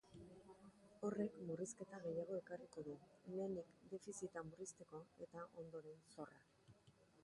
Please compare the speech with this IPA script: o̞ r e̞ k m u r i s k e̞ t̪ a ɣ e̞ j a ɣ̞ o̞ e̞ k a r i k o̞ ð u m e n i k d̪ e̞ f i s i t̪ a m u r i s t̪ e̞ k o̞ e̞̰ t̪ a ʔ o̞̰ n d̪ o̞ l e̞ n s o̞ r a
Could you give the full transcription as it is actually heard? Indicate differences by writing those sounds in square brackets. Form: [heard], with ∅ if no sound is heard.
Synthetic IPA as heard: o̞ r e̞ k m u r i s k e̞ t̪ a ɣ e̞ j a ɣ̞ o̞ e̞ k a r i k o̞ ð u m e n i k d̪ e̞ f i s i t̪ a m u r i s t̪ e̞ k o̞ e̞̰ t̪ a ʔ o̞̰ n d̪ o̞ [ɾ] e̞ n s o̞ r a